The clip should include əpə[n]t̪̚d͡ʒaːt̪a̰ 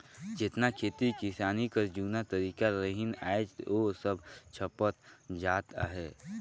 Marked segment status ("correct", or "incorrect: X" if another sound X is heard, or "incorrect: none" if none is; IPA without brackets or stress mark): incorrect: none